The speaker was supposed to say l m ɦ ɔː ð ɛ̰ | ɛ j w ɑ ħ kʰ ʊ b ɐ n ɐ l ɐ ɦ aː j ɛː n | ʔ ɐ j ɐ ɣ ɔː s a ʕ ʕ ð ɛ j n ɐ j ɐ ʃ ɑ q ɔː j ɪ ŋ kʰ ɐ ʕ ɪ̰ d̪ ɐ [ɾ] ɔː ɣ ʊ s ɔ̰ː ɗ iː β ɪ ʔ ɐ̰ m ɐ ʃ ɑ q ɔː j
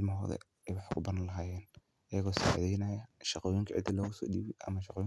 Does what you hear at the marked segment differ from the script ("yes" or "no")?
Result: yes